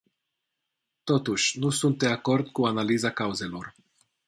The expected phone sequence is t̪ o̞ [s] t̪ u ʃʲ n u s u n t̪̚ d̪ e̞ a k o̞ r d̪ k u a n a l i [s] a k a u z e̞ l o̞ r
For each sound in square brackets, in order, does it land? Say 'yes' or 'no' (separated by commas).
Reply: no, no